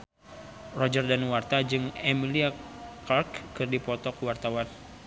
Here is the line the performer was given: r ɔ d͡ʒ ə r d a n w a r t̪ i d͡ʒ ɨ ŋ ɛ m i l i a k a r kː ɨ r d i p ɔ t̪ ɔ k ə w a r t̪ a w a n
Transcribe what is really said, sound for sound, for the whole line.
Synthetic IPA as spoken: r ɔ d͡ʒ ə r d a n w a r t̪ a d͡ʒ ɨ ŋ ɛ m i l i a k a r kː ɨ r d i p ɔ t̪ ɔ k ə w a r t̪ a w a n